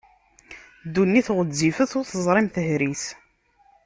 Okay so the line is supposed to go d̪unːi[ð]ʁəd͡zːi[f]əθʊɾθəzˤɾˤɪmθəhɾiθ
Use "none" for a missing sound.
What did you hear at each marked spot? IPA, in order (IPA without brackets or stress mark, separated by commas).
θ, f